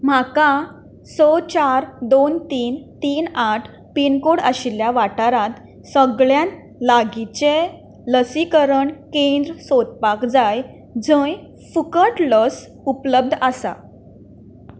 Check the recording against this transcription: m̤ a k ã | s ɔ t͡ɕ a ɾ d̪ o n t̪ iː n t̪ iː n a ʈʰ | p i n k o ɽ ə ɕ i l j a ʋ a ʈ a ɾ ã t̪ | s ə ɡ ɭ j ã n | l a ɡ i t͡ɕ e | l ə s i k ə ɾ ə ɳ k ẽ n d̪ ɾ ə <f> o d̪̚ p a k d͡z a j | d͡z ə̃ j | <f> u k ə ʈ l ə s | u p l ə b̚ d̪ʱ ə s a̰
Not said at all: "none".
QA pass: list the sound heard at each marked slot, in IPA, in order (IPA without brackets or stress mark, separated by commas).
s, f